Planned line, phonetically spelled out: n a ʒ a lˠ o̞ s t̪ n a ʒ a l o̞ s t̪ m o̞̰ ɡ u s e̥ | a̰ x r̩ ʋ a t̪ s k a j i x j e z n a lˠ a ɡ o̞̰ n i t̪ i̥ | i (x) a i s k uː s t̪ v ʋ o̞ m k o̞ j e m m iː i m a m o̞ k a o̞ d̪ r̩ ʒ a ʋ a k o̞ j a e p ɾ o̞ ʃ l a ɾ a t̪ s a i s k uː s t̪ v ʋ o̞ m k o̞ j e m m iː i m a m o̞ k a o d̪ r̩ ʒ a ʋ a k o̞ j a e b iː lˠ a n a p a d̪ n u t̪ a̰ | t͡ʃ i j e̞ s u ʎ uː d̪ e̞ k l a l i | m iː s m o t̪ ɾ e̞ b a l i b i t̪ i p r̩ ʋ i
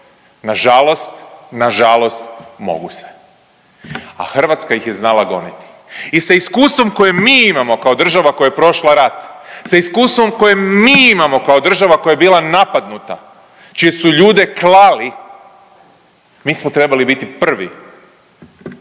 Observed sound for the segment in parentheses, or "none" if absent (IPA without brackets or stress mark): s